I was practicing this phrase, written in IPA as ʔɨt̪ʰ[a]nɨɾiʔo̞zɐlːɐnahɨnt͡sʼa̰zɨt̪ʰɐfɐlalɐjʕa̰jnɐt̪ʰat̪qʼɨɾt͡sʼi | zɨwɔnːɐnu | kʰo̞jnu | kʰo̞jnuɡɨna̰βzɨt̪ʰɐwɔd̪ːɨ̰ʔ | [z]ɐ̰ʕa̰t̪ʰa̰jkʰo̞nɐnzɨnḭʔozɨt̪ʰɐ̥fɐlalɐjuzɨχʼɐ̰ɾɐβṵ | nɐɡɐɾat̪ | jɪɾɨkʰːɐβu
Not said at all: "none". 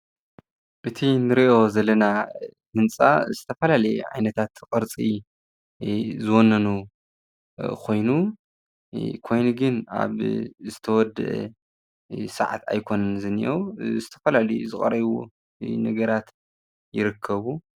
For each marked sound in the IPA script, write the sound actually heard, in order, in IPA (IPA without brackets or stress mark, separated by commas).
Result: i, s